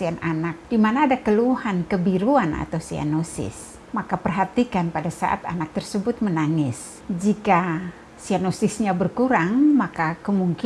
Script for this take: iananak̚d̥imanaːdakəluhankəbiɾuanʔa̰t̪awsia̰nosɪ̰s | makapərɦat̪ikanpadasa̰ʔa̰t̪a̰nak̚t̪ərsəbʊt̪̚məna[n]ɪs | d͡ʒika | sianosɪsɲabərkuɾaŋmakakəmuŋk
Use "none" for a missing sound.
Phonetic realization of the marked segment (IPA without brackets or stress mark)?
ŋ